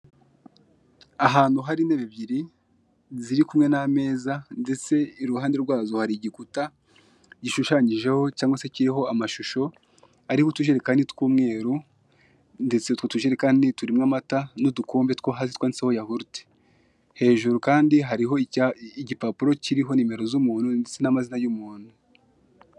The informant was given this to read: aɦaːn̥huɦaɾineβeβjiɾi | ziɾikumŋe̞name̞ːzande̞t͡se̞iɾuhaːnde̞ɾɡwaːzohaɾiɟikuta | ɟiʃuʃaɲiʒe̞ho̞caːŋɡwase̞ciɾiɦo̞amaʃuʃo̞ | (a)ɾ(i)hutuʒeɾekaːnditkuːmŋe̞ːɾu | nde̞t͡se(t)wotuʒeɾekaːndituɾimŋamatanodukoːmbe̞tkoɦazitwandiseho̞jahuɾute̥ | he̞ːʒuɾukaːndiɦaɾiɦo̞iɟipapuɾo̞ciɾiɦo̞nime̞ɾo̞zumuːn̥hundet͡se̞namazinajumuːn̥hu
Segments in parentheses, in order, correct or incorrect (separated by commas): correct, correct, correct